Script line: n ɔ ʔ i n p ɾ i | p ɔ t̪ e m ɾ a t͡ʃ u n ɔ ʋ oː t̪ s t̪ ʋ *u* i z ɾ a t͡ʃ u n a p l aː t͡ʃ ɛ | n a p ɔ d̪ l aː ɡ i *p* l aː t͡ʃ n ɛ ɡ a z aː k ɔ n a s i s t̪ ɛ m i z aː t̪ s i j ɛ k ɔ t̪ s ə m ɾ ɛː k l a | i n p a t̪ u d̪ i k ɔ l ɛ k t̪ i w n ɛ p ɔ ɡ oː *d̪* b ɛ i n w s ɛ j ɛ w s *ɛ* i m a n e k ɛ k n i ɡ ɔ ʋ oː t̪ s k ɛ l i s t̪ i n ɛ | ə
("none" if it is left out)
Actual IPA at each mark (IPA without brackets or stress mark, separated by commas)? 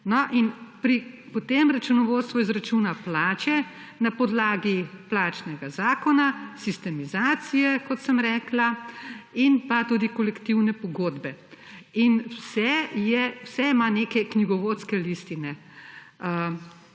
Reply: ɔ, p, d̪, ɛ